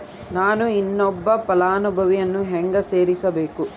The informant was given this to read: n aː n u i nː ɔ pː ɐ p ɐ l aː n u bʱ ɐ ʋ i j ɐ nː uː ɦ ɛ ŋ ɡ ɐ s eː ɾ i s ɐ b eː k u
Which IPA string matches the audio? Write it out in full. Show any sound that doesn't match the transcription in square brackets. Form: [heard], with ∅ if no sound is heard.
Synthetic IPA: n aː n u i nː ɔ [bː] ɐ p ɐ l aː n u bʱ ɐ ʋ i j ɐ nː [u] ɦ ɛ ŋ ɡ ɐ s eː ɾ i s ɐ b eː k u